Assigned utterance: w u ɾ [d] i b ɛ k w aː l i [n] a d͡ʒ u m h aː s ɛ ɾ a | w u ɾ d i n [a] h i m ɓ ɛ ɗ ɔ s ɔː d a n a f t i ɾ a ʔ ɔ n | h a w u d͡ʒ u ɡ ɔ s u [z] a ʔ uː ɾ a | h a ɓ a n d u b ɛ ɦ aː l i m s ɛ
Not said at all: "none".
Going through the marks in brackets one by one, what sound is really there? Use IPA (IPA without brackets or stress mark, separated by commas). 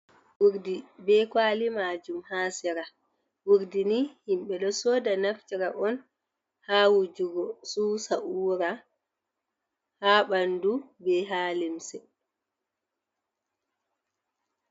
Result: d, m, i, s